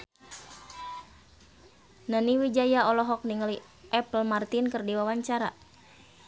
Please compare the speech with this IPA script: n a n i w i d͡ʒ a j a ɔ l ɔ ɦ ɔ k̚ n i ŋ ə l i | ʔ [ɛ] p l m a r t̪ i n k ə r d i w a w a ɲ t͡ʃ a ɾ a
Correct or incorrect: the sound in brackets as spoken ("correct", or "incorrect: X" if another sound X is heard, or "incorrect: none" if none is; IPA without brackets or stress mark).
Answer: correct